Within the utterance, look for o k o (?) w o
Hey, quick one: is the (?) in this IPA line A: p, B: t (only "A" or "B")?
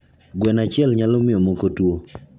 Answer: B